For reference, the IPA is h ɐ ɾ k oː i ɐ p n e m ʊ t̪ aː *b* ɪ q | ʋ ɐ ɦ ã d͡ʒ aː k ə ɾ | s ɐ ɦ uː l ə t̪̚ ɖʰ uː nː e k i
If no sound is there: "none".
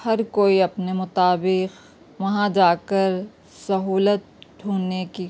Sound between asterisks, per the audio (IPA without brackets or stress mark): b